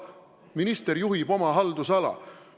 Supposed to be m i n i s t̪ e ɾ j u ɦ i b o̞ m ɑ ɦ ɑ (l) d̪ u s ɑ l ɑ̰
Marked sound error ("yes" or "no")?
no